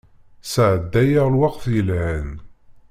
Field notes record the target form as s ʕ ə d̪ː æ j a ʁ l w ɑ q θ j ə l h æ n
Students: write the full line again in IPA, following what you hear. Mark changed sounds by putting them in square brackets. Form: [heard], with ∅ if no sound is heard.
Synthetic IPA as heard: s ʕ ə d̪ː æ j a ʁ l w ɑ q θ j ə l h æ n